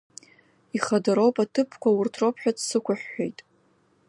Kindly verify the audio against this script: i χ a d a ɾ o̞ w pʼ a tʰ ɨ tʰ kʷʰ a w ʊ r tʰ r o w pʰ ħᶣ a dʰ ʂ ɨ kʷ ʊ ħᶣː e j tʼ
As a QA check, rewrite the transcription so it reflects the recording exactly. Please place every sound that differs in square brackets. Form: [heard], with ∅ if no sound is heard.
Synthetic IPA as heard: i χ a d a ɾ o̞ w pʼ a tʰ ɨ [pʰ] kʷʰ a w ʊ r tʰ r o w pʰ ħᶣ a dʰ [s] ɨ kʷ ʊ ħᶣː e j tʼ